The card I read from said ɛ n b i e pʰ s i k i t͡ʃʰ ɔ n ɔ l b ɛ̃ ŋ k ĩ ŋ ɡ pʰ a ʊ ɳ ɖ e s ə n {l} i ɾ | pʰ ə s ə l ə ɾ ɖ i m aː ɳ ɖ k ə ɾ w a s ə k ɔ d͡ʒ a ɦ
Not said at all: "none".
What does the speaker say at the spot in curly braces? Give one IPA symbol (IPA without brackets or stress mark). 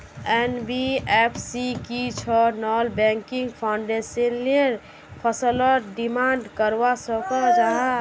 l